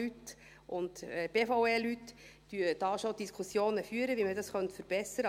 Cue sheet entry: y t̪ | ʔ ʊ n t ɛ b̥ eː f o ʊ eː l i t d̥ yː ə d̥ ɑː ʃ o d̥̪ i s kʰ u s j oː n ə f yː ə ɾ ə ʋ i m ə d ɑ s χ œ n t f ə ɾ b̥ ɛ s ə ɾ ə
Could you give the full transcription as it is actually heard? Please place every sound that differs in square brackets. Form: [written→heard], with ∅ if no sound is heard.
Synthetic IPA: y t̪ | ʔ ʊ n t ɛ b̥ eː f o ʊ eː l [i→y] t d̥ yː ə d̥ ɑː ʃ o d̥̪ i s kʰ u s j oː n ə f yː ə ɾ ə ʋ i m ə d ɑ s χ œ n t f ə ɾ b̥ ɛ s ə ɾ ə